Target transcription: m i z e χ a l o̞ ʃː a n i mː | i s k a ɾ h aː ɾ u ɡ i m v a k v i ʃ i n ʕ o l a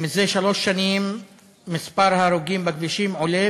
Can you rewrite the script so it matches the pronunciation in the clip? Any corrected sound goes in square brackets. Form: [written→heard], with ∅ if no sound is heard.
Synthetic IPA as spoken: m i z e [χ→ʃ] a l o̞ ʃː a n i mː | i s [k→p] a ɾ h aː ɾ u ɡ i m [v→b] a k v i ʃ i [n→m] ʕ o l [a→e]